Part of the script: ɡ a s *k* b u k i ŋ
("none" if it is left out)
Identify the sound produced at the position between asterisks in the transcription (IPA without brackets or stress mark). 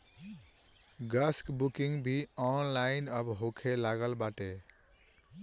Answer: k